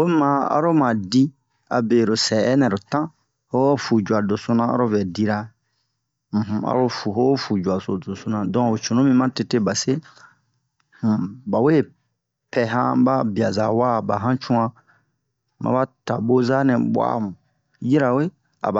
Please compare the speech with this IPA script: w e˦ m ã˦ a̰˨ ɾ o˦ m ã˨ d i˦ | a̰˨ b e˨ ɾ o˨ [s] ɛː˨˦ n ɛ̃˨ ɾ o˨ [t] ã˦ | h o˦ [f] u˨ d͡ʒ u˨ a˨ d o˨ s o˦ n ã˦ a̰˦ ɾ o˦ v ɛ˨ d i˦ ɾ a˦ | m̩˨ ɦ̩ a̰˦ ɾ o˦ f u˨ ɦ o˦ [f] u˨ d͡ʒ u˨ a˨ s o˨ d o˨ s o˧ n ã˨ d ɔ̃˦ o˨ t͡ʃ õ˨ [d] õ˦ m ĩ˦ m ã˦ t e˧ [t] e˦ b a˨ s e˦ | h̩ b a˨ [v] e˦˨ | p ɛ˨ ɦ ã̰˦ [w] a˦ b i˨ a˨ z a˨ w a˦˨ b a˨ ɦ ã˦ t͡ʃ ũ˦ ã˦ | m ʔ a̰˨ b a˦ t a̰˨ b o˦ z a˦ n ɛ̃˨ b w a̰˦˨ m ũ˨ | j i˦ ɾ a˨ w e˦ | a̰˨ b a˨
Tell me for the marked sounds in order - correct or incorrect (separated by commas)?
correct, correct, correct, correct, incorrect, correct, incorrect, incorrect